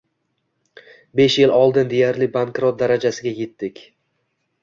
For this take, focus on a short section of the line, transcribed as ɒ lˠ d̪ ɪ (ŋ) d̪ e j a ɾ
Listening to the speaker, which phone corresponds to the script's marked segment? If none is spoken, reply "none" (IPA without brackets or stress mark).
n